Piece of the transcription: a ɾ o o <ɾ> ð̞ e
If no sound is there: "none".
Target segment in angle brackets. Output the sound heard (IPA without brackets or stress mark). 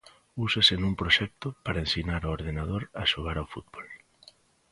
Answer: ɾ